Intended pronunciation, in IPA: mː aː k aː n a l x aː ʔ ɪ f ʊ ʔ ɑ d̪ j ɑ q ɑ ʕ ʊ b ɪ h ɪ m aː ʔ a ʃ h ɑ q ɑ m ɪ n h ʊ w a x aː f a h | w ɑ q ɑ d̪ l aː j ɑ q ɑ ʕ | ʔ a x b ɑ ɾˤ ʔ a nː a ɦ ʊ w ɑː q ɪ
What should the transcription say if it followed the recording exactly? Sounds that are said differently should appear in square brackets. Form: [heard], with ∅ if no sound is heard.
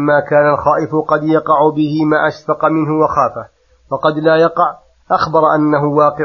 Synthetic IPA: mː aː k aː n a l x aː ʔ ɪ f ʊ [q] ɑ d̪ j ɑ q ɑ ʕ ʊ b ɪ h ɪ m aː ʔ a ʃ [f] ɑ q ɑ m ɪ n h ʊ w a x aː f a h | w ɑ q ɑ d̪ l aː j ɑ q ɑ ʕ | ʔ a x b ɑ ɾˤ ʔ a nː a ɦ ʊ w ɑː q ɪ